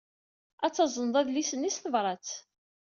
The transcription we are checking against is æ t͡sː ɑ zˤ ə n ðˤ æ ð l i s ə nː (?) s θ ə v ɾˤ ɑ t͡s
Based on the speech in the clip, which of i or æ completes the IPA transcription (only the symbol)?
i